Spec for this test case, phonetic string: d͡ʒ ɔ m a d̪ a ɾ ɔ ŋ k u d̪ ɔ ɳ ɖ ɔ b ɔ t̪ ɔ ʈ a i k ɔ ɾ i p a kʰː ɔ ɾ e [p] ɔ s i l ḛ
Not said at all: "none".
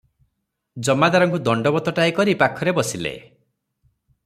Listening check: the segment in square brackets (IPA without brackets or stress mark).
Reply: b